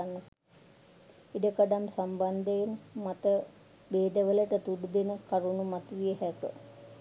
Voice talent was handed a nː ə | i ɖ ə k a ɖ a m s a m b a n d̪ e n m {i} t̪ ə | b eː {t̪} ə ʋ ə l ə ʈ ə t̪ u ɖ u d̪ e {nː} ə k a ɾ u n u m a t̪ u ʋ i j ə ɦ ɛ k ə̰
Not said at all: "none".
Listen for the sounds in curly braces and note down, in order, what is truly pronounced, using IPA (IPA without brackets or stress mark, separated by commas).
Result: a, d̪, n